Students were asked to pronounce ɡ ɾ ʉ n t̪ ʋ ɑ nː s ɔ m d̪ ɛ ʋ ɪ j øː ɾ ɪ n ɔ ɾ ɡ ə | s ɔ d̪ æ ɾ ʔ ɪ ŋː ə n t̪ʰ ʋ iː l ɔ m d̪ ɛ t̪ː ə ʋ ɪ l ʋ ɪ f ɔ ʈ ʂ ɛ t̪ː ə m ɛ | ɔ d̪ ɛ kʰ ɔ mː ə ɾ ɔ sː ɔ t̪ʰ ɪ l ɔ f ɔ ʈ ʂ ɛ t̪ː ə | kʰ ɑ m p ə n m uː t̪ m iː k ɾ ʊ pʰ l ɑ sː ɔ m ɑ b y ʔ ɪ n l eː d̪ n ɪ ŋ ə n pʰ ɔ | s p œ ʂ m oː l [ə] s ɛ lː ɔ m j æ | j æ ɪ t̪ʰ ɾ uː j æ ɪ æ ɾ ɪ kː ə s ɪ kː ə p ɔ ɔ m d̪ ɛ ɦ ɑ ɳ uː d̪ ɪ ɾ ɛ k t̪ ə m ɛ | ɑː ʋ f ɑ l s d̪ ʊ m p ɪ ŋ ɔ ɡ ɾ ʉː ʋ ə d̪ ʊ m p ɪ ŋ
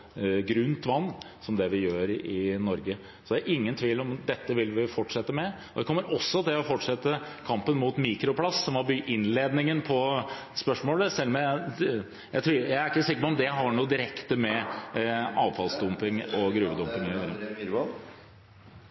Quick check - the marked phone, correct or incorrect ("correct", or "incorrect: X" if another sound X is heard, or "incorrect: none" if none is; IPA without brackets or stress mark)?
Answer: correct